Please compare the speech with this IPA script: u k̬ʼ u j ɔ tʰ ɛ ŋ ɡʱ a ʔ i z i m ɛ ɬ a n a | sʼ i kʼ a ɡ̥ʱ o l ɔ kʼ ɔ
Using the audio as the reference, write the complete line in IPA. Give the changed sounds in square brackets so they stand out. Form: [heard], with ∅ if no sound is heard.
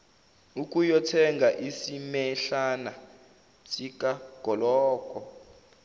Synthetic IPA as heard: u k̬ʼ u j ɔ tʰ ɛ ŋ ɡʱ a ʔ i [s] i m ɛ ɬ a n a | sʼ i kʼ a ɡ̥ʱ [ɔ] l [ɔː] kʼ ɔ